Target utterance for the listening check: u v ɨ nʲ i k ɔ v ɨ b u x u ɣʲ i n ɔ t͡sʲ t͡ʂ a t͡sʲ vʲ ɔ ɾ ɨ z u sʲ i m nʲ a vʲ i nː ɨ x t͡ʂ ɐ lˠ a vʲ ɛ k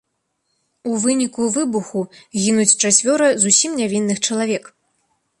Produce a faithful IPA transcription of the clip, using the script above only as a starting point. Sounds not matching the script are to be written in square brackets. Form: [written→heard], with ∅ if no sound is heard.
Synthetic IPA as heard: u v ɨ nʲ i k [ɔ→u] v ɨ b u x u ɣʲ i n [ɔ→u] t͡sʲ t͡ʂ a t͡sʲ vʲ ɔ ɾ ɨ z u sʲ i m nʲ a vʲ i nː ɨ x t͡ʂ ɐ lˠ a vʲ ɛ k